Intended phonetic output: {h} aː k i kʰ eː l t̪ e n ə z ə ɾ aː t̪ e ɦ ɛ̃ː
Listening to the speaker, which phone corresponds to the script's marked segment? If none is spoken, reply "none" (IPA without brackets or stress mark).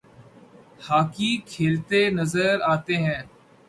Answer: h